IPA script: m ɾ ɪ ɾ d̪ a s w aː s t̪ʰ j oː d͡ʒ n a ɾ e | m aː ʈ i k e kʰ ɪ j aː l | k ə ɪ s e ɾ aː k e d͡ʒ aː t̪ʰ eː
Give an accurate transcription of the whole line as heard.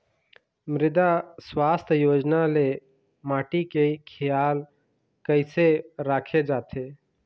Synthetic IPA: m ɾ ɪ d̪ a s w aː s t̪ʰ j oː d͡ʒ n a l e | m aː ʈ i k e kʰ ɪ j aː l | k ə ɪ s e ɾ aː kʰ e d͡ʒ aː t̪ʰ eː

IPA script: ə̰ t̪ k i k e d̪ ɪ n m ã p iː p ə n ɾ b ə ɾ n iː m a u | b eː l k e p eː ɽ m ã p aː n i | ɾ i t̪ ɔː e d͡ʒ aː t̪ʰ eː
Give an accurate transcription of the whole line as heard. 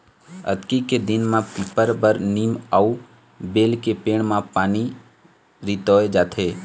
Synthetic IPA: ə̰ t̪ k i k e d̪ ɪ n m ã p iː p ə ɾ b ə ɾ n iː m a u | b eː l k e p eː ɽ m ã p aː n i | ɾ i t̪ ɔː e d͡ʒ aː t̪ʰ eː

